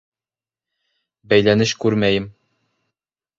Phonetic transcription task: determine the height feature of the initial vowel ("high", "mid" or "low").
low